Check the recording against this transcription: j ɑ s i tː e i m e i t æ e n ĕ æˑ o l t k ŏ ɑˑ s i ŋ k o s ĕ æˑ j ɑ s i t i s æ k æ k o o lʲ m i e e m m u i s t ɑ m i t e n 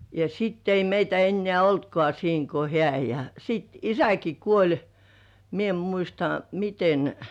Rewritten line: j ɑ s i tː e i m e i t æ e nː ĕ æˑ o l t k ŏ ɑˑ s iː ŋ k o h ĕ æˑ j ɑ s i t i s æ k i k u o lʲ m i e e m m u i s t ɑ m i t e n